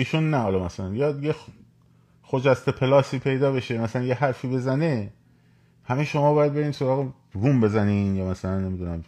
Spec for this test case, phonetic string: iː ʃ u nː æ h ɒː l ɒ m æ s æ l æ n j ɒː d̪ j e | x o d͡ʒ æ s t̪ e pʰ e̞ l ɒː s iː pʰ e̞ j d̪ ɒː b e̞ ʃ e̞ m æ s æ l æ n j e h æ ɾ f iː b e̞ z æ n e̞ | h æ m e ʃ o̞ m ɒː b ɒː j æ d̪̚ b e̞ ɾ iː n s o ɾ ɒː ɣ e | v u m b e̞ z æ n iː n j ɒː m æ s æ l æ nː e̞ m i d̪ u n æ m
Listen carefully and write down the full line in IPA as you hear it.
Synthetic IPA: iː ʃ u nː æ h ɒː l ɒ m æ s æ l æ n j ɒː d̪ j e | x o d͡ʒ æ s t̪ e pʰ e̞ l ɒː s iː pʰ e̞ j d̪ ɒː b e̞ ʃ e̞ m æ s æ l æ n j e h æ ɾ f iː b e̞ z æ n e̞ | h æ m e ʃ o̞ m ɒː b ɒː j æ d̪̚ b e̞ ɾ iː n s o ɾ ɒː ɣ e | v u m b e̞ z æ n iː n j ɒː m æ s æ l æ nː e̞ m i d̪ u n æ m